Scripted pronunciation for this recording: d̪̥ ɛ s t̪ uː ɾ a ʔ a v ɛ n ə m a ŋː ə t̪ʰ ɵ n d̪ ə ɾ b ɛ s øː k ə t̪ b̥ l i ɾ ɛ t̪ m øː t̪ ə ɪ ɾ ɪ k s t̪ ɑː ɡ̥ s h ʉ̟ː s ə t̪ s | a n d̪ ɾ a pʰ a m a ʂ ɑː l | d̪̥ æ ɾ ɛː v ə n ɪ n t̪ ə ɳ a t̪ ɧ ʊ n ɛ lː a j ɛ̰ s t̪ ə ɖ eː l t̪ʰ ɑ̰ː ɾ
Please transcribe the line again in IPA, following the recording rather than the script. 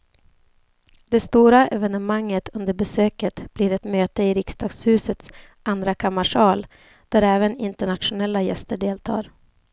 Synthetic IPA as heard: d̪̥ ɛ s t̪ uː ɾ a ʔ ɛ v ɛ n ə m a ŋː ə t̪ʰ ɵ n d̪ ə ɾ b ɛ s øː k ə t̪ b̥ l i ɾ ɛ t̪ m øː t̪ ə ɪ ɾ ɪ k s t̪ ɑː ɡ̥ s h ʉ̟ː s ə t̪ s | a n d̪ ɾ a kʰ a m a ʂ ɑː l | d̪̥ æ ɾ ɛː v ə n ɪ n t̪ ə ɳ a t̪ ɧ ʊ n ɛ lː a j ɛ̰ s t̪ ə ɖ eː l t̪ʰ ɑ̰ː ɾ